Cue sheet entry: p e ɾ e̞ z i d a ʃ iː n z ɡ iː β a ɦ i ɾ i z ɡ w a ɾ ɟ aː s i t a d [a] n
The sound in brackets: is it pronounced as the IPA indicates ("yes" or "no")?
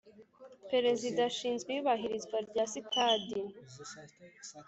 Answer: no